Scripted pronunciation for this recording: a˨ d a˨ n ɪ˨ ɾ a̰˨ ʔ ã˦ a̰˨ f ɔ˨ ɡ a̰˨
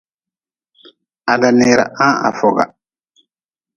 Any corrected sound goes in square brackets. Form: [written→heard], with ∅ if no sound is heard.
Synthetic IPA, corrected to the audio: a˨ d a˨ n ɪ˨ ɾ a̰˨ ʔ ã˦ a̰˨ f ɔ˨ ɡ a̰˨